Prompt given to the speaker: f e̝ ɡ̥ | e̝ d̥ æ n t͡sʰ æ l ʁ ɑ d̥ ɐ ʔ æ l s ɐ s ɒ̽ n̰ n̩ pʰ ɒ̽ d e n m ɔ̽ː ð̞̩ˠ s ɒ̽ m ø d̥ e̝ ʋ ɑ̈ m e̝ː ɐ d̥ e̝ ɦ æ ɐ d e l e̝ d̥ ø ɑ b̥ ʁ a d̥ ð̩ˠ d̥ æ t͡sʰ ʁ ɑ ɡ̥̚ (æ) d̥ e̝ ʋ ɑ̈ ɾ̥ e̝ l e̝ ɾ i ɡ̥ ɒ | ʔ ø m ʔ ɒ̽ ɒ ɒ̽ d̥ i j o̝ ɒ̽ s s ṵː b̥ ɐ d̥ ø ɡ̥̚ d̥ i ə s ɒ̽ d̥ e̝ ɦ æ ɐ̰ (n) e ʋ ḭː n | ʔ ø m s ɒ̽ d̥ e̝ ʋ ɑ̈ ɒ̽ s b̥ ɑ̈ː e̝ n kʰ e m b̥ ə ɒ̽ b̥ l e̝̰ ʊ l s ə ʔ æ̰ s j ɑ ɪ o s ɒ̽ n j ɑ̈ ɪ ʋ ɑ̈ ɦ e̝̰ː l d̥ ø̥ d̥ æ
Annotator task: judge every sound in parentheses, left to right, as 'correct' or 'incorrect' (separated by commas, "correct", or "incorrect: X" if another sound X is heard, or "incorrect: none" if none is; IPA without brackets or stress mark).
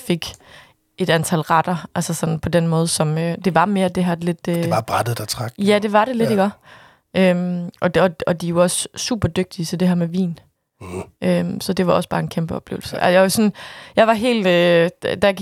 correct, incorrect: m